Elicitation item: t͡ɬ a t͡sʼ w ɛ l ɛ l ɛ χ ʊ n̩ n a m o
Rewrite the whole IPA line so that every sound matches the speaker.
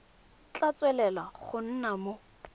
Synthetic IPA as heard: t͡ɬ a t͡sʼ w ɛ l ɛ l a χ ʊ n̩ n a m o